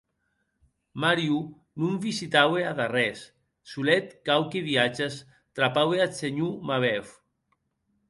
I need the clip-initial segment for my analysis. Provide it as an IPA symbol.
m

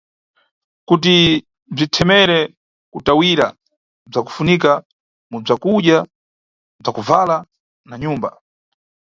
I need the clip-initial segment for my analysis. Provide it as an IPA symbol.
k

